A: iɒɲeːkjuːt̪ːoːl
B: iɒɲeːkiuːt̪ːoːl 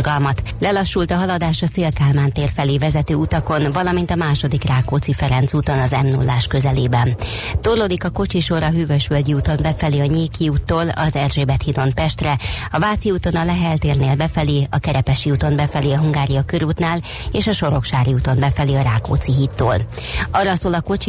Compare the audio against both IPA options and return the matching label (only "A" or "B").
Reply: B